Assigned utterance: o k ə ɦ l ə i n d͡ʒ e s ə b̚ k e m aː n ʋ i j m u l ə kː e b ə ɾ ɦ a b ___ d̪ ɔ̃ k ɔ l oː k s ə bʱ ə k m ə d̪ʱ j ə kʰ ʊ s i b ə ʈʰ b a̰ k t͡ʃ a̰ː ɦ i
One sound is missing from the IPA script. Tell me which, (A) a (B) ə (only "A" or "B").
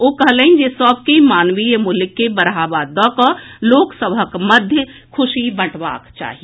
A